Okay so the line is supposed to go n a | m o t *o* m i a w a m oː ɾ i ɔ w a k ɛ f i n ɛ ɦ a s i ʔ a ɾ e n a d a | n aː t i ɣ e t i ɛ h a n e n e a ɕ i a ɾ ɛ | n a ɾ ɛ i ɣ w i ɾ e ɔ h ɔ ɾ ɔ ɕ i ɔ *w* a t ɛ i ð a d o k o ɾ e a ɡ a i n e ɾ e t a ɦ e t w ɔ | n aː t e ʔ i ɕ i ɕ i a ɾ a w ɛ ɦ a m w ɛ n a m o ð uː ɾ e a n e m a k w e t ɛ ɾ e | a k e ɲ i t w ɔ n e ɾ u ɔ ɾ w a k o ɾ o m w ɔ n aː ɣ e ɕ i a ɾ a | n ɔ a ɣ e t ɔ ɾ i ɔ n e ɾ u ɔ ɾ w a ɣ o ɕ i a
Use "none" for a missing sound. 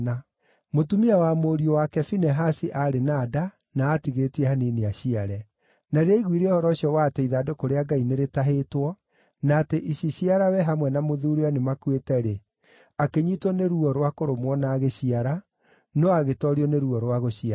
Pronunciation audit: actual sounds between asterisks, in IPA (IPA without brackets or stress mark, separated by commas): u, w